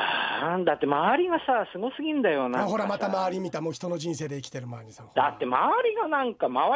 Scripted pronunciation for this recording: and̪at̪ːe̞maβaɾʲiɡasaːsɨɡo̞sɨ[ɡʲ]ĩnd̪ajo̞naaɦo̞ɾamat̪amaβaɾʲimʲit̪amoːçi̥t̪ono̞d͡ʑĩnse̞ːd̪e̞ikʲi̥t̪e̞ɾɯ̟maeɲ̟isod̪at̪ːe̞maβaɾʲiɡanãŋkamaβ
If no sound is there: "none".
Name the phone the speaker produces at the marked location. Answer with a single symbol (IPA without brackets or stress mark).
ɡʲ